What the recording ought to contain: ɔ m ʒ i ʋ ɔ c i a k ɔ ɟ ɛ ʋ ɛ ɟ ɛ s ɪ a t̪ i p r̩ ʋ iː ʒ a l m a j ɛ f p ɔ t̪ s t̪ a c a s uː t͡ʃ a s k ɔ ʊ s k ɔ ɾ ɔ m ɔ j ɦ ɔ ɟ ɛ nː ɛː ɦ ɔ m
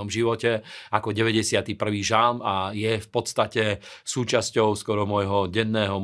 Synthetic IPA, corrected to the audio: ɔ m ʒ i ʋ ɔ c ɛ a k ɔ ɟ ɛ ʋ ɛ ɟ ɛ s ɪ a t̪ i p r̩ ʋ iː ʒ a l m a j ɛ f p ɔ t̪ s t̪ a c ɛ s uː t͡ʃ a s c ɔ ʊ s k ɔ ɾ ɔ m ɔ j ɦ ɔ ɟ ɛ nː ɛː ɦ ɔ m